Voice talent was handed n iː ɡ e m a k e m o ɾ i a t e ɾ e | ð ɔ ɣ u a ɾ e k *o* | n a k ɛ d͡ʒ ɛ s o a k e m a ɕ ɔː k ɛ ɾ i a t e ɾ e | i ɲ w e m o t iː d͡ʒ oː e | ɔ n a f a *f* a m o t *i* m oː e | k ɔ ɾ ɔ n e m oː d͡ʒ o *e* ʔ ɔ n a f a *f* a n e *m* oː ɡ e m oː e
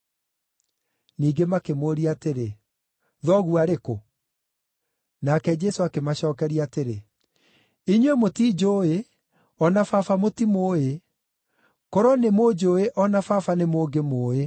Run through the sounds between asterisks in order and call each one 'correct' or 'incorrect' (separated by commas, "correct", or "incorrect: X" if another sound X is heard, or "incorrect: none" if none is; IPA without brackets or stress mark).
correct, correct, correct, correct, correct, correct